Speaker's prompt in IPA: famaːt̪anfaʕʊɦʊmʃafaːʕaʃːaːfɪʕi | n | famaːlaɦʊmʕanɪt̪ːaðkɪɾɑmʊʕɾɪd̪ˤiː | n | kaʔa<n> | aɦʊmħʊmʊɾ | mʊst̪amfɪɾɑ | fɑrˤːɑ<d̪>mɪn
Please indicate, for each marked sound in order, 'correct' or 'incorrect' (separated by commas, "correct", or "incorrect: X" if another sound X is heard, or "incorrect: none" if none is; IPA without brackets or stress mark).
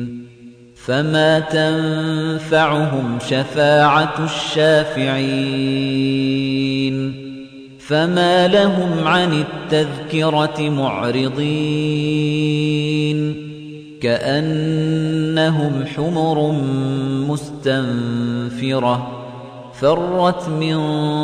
incorrect: nː, incorrect: t̪